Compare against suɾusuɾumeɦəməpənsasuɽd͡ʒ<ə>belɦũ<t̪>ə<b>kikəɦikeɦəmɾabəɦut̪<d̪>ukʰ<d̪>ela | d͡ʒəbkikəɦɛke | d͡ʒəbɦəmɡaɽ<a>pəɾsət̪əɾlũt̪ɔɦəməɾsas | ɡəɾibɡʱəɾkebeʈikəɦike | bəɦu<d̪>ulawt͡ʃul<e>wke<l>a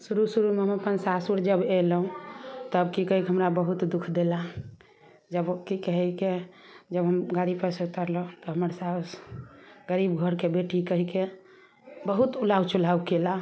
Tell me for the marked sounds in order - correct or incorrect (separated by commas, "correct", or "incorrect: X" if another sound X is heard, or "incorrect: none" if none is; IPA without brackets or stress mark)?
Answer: correct, correct, correct, correct, correct, incorrect: i, incorrect: t̪, incorrect: a, correct